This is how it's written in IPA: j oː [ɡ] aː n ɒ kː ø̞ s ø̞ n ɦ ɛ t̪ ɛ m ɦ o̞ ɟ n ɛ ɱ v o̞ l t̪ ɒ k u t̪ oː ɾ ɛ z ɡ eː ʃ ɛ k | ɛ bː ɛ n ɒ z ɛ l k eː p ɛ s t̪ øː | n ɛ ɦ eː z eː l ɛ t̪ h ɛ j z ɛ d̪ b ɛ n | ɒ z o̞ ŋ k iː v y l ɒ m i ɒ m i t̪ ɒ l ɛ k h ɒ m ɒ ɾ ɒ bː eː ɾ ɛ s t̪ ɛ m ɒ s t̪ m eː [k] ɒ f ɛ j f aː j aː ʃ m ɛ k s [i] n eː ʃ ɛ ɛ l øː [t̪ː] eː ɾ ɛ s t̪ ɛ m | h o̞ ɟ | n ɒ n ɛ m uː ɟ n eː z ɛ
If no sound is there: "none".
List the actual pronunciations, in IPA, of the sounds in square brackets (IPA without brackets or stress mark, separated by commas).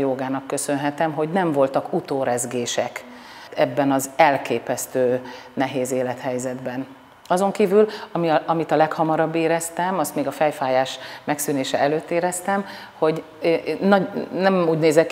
ɡ, ɡ, y, t̪ː